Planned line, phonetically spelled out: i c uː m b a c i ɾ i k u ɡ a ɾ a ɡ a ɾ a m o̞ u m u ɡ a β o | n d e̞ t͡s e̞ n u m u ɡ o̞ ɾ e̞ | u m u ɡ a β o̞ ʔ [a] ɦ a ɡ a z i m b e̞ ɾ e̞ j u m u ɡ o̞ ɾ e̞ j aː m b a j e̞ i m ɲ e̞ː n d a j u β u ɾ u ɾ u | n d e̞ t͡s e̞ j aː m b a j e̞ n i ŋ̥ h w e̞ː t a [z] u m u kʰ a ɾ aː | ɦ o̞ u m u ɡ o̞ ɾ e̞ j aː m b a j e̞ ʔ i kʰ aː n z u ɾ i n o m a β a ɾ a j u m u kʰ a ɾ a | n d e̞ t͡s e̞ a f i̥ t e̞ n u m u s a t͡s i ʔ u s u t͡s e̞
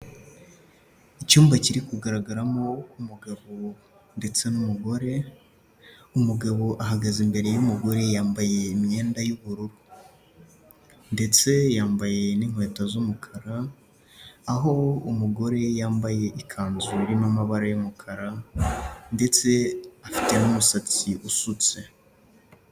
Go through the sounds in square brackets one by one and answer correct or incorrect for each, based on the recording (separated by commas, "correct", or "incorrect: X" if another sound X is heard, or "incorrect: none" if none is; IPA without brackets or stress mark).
correct, correct